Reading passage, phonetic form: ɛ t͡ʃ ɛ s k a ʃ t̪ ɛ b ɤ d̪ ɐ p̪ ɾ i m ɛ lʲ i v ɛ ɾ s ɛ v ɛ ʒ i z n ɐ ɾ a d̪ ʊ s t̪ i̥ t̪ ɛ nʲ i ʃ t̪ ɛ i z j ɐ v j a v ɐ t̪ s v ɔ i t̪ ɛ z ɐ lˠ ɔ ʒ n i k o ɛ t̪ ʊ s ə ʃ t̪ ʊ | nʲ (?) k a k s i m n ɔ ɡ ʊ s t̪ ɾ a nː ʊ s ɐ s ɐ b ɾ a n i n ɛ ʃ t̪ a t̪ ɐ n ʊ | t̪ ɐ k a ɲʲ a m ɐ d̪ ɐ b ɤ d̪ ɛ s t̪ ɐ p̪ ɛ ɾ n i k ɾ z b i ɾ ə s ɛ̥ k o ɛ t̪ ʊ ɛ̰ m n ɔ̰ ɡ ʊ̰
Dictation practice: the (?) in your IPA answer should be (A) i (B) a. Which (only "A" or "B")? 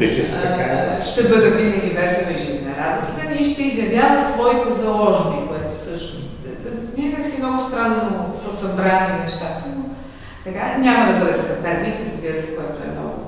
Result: B